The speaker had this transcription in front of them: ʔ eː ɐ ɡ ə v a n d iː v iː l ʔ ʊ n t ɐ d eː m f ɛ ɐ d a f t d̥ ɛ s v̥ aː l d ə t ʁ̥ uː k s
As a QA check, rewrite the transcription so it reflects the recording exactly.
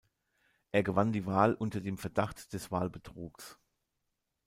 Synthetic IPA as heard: ʔ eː ɐ ɡ ə v a n d iː v aː l ʔ ʊ n t ɐ d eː m f ɛ ɐ d a χ t d̥ ɛ s v̥ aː l b ə t ʁ̥ uː k s